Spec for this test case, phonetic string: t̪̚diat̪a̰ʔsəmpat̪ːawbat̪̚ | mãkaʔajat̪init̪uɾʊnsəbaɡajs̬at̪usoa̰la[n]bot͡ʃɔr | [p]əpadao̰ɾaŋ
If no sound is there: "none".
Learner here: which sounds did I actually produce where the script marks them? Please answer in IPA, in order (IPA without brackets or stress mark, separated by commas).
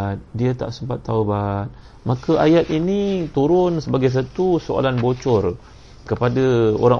n, k